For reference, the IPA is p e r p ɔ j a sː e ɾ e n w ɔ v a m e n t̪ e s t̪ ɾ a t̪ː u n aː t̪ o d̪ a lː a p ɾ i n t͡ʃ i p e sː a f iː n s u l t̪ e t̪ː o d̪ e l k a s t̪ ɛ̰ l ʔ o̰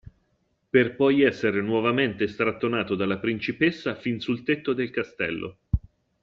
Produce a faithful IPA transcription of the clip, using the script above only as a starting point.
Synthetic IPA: p e r p ɔ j ɛ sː e ɾ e n w ɔ v a m e n t̪ e s t̪ ɾ a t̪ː o n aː t̪ o d̪ a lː a p ɾ i n t͡ʃ i p e sː a f i n s u l t̪ e t̪ː o d̪ e l k a s t̪ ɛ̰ lː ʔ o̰